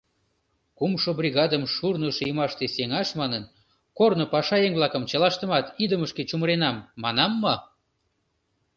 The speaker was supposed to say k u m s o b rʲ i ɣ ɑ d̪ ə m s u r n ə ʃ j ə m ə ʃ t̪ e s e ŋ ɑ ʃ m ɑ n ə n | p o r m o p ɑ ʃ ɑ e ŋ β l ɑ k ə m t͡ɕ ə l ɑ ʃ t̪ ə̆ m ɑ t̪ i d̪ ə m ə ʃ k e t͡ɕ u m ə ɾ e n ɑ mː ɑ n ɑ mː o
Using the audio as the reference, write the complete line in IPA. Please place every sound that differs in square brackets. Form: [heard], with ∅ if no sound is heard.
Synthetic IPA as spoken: k u m [ʃ] o b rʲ i ɣ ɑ d̪ ə m [ʃ] u r n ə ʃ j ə m [ɑ] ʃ t̪ e s e ŋ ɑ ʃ m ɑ n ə n | [k] o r [n] o p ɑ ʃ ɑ e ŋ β l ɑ k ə m t͡ɕ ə l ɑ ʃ t̪ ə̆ m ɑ t̪ i d̪ ə m ə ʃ k e t͡ɕ u m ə ɾ e n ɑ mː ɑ n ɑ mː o